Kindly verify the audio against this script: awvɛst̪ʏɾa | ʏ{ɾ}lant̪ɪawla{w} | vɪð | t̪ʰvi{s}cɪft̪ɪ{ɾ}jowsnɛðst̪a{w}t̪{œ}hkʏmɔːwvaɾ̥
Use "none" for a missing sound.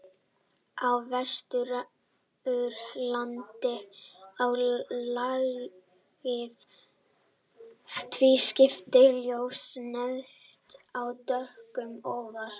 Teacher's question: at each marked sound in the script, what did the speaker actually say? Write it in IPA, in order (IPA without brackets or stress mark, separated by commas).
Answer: ɾ, ɣ, s, l, w, œ